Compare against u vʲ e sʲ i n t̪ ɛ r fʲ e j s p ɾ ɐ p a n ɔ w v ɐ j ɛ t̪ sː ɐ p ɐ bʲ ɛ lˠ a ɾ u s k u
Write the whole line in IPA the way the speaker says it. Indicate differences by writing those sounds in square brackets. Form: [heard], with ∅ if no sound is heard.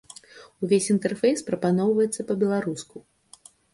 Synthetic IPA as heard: u vʲ e sʲ i n t̪ ɛ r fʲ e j s p ɾ ɐ p a n ɔ w v ɐ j ɛ t̪ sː ɐ p ɐ bʲ ɛ lˠ a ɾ u s k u